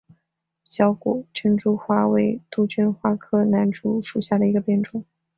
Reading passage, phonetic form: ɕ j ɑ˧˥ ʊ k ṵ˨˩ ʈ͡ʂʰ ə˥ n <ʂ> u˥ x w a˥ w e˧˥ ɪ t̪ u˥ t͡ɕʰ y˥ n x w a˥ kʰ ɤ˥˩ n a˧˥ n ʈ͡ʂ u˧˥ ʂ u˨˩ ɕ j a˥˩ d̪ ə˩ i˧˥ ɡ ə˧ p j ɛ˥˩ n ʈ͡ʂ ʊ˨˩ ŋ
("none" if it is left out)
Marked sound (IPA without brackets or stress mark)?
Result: ʈ͡ʂ